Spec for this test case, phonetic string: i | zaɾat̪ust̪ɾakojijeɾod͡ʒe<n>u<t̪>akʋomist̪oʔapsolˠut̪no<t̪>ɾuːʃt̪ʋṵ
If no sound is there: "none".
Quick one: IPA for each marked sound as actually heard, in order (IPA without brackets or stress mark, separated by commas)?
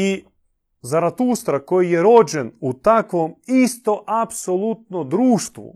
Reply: n, t̪, d̪